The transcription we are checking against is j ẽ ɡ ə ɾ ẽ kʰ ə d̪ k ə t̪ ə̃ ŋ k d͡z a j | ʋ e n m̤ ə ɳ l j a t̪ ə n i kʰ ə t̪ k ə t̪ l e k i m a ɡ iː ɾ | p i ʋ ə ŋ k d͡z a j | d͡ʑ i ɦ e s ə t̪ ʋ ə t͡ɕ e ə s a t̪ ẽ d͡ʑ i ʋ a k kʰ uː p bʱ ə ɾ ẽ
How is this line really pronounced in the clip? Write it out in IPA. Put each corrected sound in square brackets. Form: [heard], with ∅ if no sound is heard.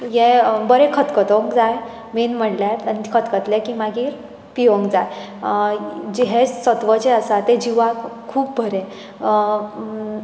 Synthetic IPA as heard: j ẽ [b] ə ɾ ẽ kʰ ə [t̪] k ə t̪ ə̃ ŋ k d͡z a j | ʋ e n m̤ ə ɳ l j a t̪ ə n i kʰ ə t̪ k ə t̪ l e k i m a ɡ iː ɾ | p i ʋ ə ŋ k d͡z a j | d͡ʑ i ɦ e s ə t̪ ʋ ə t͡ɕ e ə s a t̪ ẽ d͡ʑ i ʋ a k kʰ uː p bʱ ə ɾ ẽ

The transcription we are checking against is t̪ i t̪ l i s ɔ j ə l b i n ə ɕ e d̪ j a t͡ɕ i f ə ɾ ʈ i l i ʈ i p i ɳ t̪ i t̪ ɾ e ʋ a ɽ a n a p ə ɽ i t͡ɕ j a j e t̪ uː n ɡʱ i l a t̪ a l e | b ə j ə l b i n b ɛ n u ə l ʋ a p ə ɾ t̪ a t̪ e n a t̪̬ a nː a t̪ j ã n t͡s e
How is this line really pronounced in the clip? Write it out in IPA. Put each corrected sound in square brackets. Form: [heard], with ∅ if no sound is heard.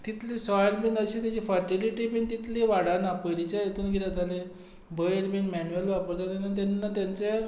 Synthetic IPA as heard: t̪ i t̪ l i s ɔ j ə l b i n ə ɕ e [t̪] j a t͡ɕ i f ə ɾ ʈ i l i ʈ i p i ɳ t̪ i t̪ [l] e ʋ a ɽ a n a p ə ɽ i t͡ɕ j a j e t̪ uː n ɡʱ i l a t̪ a l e | b ə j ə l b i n [m] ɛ n u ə l ʋ a p ə ɾ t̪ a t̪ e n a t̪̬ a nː a t̪ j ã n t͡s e

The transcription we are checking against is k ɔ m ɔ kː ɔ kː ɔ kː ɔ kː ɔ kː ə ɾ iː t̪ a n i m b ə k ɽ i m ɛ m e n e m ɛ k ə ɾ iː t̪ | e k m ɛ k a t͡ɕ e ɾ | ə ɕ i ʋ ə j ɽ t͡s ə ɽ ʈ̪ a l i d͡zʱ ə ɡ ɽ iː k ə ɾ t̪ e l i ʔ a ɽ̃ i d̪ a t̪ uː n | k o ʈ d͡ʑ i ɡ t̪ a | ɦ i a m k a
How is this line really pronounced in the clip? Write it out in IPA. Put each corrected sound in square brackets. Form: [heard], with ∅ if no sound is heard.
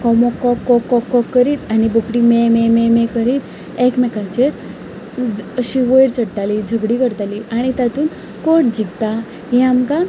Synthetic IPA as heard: k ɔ m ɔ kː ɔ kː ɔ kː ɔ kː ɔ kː ə ɾ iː t̪ a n i [∅] b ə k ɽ i m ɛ m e [m] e m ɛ k ə ɾ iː t̪ | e k m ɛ k a t͡ɕ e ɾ | ə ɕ i ʋ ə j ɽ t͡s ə ɽ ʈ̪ a l i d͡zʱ ə ɡ ɽ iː k ə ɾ t̪ [a] l i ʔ a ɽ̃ i [t̪] a t̪ uː n | k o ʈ d͡ʑ i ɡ t̪ a | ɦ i a m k a

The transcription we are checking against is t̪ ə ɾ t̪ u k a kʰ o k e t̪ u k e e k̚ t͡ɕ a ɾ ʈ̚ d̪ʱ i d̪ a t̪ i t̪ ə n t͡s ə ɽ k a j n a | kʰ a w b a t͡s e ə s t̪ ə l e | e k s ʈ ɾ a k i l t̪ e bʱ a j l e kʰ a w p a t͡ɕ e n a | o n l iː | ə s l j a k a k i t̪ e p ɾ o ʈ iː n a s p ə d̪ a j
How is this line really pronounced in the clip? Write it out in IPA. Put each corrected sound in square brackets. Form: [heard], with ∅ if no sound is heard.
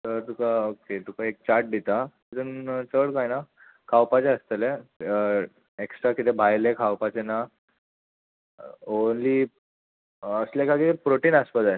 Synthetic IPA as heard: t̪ ə ɾ t̪ u k a [∅] o k e t̪ u k [a] e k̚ t͡ɕ a ɾ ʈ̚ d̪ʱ i [t̪] a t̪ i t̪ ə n t͡s ə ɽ k a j n a | kʰ a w [p] a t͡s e ə s t̪ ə l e | e k s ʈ ɾ a k i [∅] t̪ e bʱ a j l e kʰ a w p a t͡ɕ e n a | o n l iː | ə s l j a k a k i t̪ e p ɾ o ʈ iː n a s p ə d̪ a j

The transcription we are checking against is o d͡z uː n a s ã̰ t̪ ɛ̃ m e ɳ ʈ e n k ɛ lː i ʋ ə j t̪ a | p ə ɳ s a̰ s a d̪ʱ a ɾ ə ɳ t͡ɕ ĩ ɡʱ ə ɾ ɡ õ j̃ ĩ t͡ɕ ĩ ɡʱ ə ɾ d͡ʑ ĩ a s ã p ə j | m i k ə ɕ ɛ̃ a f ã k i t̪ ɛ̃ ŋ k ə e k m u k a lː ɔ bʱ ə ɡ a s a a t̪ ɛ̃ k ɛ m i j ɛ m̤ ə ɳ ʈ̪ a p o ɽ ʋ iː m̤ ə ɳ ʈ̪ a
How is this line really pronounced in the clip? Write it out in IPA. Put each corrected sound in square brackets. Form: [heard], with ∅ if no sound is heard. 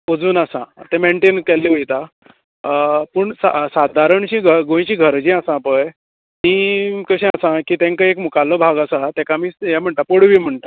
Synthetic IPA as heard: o d͡z uː n a s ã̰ t̪ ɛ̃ m e ɳ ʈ e n k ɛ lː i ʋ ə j t̪ a | p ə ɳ s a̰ s a d̪ʱ a ɾ ə ɳ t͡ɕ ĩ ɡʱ ə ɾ ɡ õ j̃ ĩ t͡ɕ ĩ ɡʱ ə ɾ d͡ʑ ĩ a s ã p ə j | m i k ə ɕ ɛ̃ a [s] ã k i t̪ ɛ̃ ŋ k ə e k m u k a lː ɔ bʱ [a] ɡ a s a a t̪ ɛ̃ k [a] m i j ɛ m̤ ə ɳ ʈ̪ a p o ɽ ʋ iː m̤ ə ɳ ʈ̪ a

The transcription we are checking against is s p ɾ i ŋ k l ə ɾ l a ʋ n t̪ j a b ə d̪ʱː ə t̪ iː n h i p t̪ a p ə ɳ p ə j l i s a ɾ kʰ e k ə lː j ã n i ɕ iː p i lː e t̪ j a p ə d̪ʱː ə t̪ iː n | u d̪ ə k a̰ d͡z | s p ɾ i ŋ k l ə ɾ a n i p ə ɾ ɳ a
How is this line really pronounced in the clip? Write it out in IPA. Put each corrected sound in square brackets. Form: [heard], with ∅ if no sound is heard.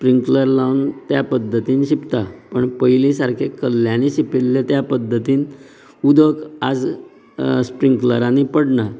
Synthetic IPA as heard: s p ɾ i ŋ k l ə ɾ l a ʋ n t̪ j a [p] ə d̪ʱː ə t̪ iː n [ɕ] i p t̪ a p ə ɳ p ə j l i s a ɾ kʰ e k ə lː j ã n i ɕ [i] p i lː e t̪ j a p ə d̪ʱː ə t̪ iː n | u d̪ ə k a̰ d͡z | s p ɾ i ŋ k l ə ɾ a n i p ə [ɽ] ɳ a

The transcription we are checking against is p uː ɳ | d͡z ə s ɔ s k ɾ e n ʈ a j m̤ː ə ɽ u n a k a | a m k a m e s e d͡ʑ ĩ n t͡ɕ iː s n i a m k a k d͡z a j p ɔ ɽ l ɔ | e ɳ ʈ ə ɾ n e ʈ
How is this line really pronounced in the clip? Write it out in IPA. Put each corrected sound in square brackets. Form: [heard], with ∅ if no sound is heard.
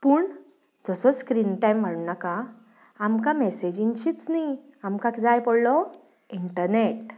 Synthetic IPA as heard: p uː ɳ | d͡z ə s ɔ s k ɾ [i] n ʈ a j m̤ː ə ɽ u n a k a | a m k a m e s e d͡ʑ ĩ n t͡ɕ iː [t͡s] n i a m k a k d͡z a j p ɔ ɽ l ɔ | [i] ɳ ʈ ə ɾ n e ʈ

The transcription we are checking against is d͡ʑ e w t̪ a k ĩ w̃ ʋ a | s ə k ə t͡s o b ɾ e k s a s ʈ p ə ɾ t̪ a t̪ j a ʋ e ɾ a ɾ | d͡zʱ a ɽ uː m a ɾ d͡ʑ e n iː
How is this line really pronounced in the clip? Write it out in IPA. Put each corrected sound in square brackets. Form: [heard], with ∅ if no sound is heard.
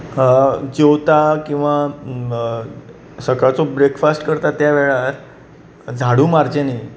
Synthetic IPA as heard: d͡ʑ e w t̪ a k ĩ w̃ ʋ a | s ə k [a] t͡s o b ɾ e k [f] a s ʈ [k] ə ɾ t̪ a t̪ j a ʋ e [ɭ] a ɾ | d͡zʱ a ɽ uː m a ɾ d͡ʑ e n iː

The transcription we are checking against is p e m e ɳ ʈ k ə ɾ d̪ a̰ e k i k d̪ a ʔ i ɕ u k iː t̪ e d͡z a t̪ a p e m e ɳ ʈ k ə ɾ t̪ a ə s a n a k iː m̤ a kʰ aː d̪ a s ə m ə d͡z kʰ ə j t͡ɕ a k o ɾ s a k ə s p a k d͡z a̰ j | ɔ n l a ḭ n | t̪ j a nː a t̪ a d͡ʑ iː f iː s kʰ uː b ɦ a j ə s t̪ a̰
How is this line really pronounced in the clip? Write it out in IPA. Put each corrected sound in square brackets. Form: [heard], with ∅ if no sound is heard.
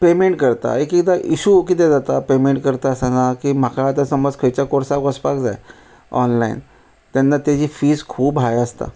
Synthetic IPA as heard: p e m e ɳ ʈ k ə ɾ [t̪] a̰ e k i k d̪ a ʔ i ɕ u k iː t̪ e d͡z a t̪ a p e m e ɳ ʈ k ə ɾ t̪ a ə s a n a k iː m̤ a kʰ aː [t̪] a s ə m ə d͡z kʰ ə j t͡ɕ a k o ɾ s a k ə s p a k d͡z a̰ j | ɔ n l a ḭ n | t̪ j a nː a t̪ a d͡ʑ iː f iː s kʰ uː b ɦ a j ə s t̪ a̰

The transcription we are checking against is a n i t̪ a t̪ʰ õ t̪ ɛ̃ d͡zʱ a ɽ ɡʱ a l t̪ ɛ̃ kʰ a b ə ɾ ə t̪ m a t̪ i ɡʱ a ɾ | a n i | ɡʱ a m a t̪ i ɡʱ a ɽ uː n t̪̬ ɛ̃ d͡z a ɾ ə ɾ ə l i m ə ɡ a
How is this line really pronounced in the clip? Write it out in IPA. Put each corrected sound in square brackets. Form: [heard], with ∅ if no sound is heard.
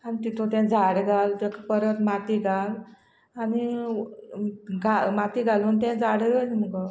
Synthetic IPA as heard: a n i t̪ [i] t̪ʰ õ t̪ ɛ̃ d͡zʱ a ɽ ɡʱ a l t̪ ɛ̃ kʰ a [p] ə ɾ ə t̪ m a t̪ i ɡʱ a [l] | a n i | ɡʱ a m a t̪ i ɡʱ a [l] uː n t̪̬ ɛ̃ d͡z a [ɽ] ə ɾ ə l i m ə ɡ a

